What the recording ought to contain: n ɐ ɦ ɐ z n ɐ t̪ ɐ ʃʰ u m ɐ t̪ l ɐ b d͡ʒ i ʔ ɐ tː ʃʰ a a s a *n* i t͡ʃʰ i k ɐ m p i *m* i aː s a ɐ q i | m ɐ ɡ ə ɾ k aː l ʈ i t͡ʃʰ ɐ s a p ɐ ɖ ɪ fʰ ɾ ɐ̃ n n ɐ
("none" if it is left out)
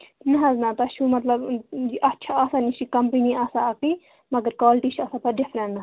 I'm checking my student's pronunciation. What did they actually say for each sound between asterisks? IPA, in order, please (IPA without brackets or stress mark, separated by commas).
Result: n, n